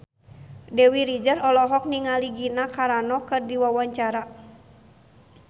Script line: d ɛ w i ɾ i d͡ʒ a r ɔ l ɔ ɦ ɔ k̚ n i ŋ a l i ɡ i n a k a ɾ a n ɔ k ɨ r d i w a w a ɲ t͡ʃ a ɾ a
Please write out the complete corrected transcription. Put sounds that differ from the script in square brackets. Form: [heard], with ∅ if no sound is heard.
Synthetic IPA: d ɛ w i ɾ i d͡ʒ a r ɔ l ɔ ɦ ɔ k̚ n i ŋ a l i ɡ i n a k a ɾ a n ɔ k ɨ r d i w a w a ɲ t͡ʃ a ɾ a